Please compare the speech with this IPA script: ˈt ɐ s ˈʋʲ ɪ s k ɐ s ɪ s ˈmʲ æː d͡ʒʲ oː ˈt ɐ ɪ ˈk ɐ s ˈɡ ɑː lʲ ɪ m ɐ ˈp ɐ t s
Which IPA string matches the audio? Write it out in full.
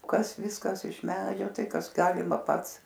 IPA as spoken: ˈk ɐ s ˈʋʲ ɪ s k ɐ s ɪ ʃ ˈmʲ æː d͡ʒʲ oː ˈt ɐ ɪ ˈk ɐ s ˈɡ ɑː lʲ ɪ m ɐ ˈp ɐ t s